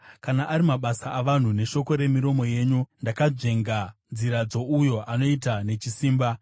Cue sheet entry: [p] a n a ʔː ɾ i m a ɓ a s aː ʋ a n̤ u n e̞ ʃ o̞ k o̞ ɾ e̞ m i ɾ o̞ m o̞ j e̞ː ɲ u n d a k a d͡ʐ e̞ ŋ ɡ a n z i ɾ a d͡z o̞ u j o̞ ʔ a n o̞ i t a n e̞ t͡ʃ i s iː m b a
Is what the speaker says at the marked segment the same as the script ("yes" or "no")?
no